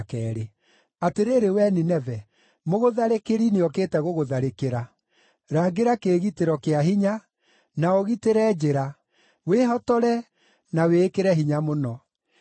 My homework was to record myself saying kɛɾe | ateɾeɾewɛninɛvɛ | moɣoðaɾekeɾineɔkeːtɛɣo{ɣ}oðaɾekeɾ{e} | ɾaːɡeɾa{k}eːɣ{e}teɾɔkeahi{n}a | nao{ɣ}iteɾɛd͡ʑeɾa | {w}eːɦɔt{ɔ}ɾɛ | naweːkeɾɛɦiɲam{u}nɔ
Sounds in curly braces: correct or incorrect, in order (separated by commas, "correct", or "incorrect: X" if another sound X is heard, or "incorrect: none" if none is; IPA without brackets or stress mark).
correct, incorrect: a, correct, incorrect: i, incorrect: ɲ, correct, correct, correct, incorrect: o